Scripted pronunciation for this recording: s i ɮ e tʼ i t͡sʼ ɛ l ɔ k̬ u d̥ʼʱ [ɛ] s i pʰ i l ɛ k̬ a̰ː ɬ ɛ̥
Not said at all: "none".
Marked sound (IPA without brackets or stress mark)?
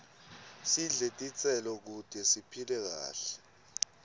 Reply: ɛ